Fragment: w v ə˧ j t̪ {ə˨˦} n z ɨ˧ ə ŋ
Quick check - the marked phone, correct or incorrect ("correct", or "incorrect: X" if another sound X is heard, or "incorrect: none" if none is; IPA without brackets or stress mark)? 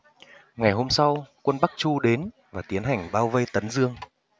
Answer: correct